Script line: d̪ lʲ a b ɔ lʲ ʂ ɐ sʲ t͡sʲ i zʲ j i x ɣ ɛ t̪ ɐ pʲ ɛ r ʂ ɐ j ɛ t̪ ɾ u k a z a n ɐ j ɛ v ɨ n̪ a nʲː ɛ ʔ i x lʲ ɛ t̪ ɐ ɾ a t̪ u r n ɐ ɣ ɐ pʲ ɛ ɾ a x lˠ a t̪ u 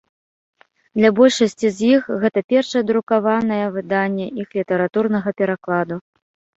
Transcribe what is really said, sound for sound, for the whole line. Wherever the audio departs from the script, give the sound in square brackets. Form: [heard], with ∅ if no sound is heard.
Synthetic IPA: d̪ lʲ a b ɔ lʲ ʂ ɐ sʲ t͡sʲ i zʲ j i x ɣ ɛ t̪ ɐ pʲ ɛ r ʂ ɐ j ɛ [d̪] ɾ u k a [v] a n ɐ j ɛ v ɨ [d̪] a nʲː ɛ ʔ i x lʲ [i] t̪ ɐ ɾ a t̪ u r n ɐ ɣ ɐ pʲ ɛ ɾ a [k] lˠ a [d̪] u